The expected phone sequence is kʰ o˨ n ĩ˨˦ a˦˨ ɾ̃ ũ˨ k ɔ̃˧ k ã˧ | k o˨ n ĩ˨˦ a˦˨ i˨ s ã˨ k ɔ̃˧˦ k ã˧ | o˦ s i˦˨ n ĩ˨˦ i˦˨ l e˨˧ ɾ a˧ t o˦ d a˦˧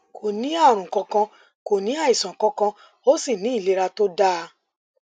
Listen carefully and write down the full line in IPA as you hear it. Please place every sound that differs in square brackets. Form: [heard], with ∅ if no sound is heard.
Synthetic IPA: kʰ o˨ n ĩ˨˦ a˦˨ ɾ̃ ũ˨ k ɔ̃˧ k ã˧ | k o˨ n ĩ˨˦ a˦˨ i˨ s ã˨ k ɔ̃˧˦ k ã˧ | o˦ s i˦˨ n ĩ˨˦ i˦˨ l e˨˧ ɾ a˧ t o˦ d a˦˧